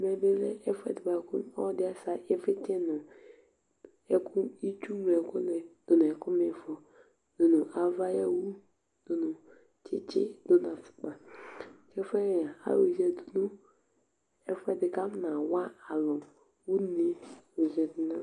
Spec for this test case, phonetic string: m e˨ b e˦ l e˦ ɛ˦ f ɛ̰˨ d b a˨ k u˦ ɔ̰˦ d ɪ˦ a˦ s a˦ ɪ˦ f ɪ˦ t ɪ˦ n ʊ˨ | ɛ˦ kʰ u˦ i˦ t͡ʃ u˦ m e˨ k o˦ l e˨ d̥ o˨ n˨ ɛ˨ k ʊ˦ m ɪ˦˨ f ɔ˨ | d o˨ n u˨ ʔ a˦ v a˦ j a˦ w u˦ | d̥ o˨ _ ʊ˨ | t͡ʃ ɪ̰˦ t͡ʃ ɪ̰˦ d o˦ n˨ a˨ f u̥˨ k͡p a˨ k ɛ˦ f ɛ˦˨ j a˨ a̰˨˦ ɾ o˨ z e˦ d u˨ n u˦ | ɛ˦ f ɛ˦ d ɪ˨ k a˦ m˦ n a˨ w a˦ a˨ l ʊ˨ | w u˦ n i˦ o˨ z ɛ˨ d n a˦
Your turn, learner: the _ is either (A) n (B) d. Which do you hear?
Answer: A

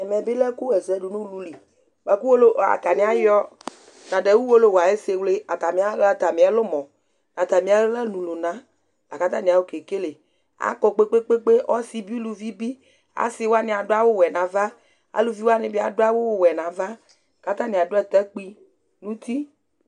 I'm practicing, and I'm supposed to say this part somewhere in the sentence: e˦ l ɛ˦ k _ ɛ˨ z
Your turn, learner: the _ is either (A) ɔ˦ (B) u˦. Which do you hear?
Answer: B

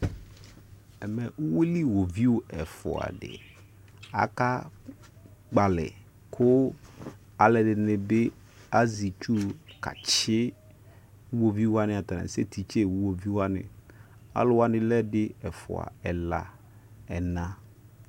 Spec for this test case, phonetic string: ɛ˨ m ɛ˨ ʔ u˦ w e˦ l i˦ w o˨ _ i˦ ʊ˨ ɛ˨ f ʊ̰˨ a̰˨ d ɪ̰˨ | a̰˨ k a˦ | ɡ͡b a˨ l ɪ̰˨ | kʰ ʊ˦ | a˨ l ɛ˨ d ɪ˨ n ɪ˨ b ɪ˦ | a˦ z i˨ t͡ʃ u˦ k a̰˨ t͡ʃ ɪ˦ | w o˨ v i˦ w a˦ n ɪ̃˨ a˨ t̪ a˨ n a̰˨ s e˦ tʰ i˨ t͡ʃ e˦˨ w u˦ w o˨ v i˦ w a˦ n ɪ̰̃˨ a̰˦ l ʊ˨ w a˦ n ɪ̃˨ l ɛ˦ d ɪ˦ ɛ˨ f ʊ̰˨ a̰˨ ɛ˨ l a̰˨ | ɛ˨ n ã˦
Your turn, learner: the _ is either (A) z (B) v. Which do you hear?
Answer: B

